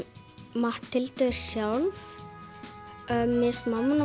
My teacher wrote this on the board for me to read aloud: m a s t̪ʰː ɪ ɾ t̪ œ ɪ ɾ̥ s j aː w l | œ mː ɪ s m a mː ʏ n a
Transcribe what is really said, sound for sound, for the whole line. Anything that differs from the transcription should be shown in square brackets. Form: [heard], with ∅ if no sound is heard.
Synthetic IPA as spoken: m a [h] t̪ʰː ɪ [l] t̪ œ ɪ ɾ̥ s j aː w l | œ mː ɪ s m a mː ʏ n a